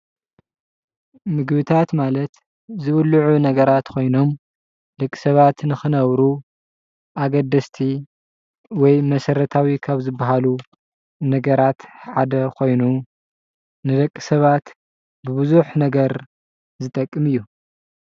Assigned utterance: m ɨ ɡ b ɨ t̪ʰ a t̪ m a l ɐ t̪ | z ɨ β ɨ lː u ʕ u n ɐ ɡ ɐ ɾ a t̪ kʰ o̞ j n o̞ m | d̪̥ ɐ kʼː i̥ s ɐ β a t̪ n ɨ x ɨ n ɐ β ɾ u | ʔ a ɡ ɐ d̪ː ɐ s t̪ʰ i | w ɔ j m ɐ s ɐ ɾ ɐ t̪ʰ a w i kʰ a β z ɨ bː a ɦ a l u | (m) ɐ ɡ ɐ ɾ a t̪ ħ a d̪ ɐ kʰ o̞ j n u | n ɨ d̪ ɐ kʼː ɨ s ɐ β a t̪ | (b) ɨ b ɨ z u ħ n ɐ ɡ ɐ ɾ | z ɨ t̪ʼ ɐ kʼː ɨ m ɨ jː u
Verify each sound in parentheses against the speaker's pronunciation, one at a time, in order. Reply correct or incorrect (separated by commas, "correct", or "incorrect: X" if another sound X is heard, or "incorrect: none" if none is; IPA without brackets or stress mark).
incorrect: n, correct